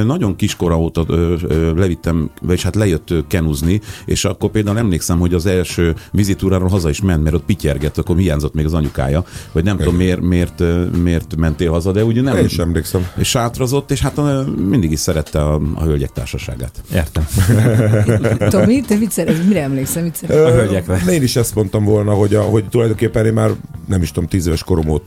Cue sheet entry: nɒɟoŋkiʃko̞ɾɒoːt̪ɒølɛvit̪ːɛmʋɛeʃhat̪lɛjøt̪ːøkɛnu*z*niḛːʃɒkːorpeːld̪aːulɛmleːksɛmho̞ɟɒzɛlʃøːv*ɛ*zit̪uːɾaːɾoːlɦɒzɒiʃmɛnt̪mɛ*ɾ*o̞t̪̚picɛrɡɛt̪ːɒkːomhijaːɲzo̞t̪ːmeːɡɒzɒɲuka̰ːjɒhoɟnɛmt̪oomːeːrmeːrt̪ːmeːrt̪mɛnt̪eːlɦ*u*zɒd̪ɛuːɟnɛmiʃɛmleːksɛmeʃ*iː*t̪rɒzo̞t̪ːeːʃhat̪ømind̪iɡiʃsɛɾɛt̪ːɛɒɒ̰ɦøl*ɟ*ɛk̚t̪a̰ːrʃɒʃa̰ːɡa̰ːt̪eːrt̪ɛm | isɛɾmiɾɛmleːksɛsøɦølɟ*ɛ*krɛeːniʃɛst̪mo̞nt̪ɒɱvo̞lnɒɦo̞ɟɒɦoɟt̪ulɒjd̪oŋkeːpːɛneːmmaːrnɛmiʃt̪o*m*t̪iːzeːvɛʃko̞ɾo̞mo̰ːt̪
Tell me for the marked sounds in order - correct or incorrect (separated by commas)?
correct, incorrect, correct, incorrect, incorrect, correct, correct, correct